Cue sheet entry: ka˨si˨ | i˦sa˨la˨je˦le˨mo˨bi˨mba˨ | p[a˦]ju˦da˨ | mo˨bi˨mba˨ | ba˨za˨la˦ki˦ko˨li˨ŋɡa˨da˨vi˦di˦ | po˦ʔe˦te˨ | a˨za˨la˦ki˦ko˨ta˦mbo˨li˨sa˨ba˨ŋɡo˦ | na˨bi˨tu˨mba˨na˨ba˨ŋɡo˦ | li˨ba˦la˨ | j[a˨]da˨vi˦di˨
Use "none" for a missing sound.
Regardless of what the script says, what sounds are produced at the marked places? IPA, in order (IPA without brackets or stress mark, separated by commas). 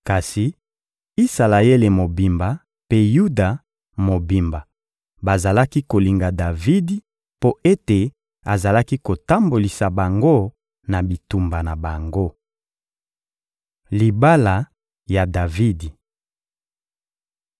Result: e˦, a˨